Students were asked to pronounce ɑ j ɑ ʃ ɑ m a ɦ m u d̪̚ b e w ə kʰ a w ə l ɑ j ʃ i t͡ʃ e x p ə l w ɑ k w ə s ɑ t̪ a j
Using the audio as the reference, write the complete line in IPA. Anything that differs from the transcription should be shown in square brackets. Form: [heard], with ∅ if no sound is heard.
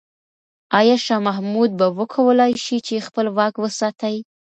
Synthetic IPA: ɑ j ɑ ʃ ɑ m a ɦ m u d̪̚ b [a] w ə kʰ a w ə l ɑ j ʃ i t͡ʃ e x p ə l w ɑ k w ə s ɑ t̪ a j